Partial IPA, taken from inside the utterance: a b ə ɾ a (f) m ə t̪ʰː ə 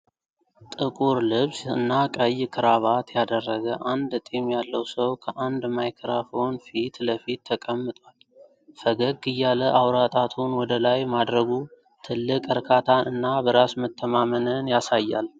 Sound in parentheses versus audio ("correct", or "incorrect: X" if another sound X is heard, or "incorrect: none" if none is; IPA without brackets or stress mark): incorrect: s